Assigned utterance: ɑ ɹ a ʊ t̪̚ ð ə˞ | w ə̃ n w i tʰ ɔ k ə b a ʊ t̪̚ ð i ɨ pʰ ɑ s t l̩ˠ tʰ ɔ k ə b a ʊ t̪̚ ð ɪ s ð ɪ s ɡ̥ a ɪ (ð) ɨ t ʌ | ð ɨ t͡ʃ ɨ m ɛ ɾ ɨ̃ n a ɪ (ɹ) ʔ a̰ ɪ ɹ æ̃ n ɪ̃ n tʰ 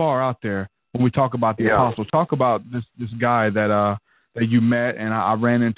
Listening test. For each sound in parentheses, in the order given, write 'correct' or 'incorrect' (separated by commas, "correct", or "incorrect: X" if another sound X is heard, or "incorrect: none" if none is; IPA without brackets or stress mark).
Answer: correct, incorrect: none